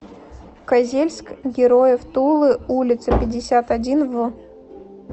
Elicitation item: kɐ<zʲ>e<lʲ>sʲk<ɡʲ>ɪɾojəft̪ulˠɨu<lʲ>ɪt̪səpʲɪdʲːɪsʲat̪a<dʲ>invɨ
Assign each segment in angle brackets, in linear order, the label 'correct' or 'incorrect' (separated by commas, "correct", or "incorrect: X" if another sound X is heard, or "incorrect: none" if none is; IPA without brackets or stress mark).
correct, correct, correct, correct, correct